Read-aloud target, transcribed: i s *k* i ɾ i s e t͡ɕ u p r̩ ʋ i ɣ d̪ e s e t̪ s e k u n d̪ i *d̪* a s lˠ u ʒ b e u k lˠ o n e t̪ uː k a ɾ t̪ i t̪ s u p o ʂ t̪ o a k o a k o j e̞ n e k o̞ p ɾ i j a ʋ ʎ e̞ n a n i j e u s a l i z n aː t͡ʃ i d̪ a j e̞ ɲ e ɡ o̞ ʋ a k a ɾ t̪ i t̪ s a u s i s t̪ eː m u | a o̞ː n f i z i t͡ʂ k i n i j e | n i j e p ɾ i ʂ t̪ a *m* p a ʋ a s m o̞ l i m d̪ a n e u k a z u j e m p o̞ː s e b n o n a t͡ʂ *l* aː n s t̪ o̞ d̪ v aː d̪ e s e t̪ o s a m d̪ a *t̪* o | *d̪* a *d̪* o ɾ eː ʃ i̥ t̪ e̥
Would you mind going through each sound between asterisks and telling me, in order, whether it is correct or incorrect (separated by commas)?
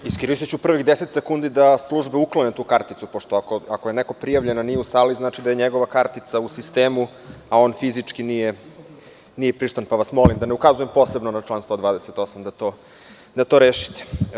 correct, correct, incorrect, correct, correct, correct, incorrect